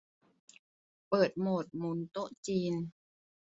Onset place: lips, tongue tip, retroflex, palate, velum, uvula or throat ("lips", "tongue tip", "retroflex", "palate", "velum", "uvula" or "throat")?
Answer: lips